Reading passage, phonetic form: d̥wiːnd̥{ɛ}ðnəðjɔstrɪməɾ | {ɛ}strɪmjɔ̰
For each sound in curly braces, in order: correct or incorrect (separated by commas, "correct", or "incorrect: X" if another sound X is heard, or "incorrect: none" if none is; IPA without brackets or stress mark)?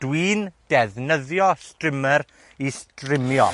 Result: correct, incorrect: i